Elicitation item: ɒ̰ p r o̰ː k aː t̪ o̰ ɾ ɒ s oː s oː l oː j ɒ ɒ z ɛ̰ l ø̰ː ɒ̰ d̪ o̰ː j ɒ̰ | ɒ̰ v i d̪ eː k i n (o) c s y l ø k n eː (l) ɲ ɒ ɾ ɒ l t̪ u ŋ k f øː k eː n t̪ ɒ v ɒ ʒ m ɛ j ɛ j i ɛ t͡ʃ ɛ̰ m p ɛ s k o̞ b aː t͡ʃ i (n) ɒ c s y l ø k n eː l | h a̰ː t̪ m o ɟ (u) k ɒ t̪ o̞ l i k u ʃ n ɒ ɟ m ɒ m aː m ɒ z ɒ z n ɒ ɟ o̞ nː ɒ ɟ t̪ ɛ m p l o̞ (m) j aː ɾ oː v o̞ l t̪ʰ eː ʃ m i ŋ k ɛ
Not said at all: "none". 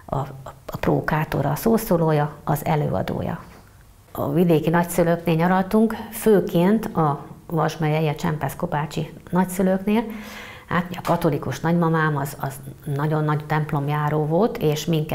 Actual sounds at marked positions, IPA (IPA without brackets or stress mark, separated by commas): ɒ, l, n, ɒ, m